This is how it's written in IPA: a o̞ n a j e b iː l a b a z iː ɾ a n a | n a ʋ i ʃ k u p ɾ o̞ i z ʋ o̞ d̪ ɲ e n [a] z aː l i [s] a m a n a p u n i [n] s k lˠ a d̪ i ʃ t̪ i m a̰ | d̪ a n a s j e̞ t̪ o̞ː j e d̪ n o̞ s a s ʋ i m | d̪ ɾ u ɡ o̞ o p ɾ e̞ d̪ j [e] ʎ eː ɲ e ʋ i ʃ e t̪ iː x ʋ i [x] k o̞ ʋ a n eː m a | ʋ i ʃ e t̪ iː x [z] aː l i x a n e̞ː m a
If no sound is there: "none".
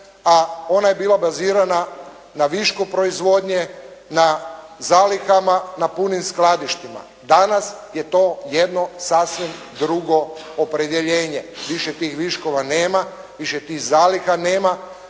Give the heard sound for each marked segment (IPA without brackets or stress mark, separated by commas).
a, x, m, e, ʃ, z